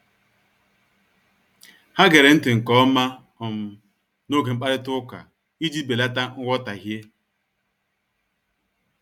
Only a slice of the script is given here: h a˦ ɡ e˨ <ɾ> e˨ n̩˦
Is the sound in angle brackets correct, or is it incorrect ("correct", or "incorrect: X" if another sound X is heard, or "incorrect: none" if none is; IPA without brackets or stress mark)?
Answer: correct